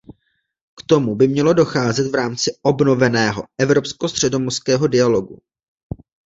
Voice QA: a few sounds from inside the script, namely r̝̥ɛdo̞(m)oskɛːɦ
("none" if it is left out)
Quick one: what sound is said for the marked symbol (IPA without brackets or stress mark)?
m